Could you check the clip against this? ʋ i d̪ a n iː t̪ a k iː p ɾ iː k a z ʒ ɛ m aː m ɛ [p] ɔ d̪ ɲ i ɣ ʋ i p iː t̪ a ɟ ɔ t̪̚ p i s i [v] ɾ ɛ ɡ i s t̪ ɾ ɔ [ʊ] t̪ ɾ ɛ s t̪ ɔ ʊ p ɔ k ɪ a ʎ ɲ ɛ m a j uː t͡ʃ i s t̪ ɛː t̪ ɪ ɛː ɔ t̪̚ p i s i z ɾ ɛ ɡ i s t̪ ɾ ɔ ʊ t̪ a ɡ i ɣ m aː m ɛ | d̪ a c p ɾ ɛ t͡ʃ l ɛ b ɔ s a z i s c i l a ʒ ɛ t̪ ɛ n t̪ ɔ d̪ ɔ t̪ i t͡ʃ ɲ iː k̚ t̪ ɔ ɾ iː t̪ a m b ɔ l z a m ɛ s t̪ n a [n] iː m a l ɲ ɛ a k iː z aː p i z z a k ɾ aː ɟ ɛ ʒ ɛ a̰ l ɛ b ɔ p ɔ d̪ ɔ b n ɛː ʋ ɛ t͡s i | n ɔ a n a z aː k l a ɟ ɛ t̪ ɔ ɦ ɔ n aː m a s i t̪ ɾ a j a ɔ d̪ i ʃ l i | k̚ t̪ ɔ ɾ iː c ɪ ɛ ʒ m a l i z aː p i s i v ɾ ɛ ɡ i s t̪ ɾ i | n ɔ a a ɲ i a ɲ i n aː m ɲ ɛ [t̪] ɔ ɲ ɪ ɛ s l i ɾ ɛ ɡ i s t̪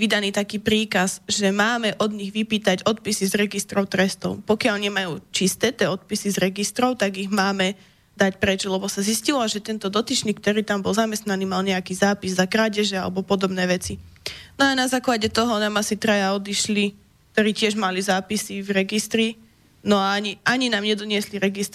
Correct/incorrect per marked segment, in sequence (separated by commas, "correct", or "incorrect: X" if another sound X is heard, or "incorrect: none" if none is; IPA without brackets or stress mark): incorrect: ʔ, incorrect: z, correct, correct, incorrect: d̪